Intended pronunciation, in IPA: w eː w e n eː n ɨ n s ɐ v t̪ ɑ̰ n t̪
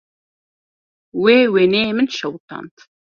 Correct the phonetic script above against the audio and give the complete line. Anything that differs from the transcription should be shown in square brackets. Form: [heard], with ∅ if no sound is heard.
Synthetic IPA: w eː w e n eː [m] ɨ n [ʃ] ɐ [w] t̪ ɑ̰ n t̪